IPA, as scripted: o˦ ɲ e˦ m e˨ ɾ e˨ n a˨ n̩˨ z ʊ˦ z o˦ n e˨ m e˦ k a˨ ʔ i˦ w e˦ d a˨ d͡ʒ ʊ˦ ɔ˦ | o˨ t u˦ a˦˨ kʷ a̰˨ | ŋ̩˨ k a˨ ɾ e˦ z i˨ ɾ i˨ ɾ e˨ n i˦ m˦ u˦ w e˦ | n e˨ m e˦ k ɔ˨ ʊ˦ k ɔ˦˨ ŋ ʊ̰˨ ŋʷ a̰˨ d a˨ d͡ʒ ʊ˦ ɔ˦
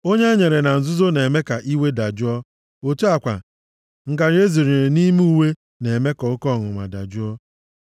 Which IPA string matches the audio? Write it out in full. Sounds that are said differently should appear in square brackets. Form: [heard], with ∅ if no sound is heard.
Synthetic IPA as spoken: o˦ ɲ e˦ [ɲ] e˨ ɾ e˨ n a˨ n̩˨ z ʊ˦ z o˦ n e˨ m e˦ k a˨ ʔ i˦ w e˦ d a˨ d͡ʒ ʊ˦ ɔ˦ | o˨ t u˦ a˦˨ kʷ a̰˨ | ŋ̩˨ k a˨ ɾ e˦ z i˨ ɾ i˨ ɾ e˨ n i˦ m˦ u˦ w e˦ | n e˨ m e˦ k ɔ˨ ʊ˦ k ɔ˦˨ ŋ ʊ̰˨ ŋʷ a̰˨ d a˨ d͡ʒ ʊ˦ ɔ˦